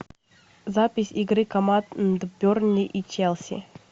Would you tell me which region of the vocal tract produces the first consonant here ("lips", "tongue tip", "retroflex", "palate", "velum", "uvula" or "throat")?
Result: tongue tip